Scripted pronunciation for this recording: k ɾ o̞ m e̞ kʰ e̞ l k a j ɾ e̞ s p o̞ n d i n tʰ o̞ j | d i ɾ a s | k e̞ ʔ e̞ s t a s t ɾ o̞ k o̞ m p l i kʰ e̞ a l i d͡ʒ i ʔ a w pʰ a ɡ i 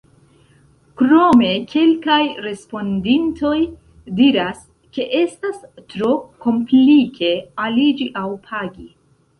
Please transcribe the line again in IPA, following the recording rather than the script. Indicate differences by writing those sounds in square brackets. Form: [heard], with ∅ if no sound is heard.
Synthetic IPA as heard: k ɾ o̞ m e̞ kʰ e̞ l k a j ɾ e̞ s p o̞ n d i n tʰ o̞ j | d i ɾ a s | k e̞ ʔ e̞ s t a s t ɾ o̞ k o̞ m p l i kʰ e̞ a l i d͡ʒ i ʔ a w pʰ a ɡ i